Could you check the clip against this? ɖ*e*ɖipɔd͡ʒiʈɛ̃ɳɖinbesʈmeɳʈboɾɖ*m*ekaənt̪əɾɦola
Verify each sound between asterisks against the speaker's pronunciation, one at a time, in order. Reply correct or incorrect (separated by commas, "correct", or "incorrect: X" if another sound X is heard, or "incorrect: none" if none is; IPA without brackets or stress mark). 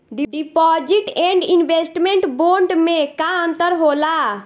incorrect: i, correct